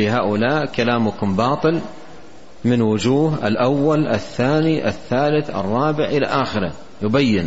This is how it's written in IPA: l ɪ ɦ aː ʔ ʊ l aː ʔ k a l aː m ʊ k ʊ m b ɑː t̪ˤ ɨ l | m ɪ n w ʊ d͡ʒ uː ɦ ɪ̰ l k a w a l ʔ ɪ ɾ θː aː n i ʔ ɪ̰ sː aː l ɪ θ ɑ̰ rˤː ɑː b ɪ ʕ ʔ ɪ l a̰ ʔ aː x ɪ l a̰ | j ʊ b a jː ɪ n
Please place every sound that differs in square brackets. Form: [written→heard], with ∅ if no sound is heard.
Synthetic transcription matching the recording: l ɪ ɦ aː ʔ ʊ l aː ʔ k a l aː m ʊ k ʊ m b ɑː t̪ˤ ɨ l | m ɪ n w ʊ d͡ʒ uː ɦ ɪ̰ l [k→ʔ] a [w→wː] a l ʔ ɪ [ɾ→∅] θː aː n i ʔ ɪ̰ [sː→θː] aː l ɪ θ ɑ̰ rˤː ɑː b ɪ ʕ ʔ ɪ l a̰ ʔ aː x ɪ [l→ɾ] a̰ | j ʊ b a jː ɪ n